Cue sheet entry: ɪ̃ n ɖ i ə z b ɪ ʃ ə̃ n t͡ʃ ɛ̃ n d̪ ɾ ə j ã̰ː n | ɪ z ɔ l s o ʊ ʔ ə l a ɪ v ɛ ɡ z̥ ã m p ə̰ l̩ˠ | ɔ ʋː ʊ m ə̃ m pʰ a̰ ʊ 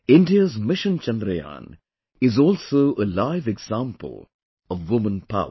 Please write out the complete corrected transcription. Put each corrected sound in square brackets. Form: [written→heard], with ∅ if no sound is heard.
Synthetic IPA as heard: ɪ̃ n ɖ i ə z [b→m] ɪ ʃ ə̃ n t͡ʃ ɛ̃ n d̪ ɾ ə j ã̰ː n | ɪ z ɔ l s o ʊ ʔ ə l a ɪ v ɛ ɡ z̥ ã m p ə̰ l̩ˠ | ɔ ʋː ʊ m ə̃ [m→n] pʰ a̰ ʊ